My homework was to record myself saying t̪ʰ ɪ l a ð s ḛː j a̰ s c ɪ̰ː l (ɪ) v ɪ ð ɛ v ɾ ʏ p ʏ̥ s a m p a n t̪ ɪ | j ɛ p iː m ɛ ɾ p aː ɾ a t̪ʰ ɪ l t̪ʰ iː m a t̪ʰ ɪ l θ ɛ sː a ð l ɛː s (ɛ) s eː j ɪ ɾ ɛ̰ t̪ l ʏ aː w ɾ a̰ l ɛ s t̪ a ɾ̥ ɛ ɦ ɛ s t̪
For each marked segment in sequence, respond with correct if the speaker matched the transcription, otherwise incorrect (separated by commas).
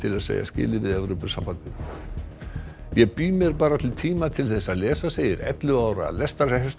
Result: correct, incorrect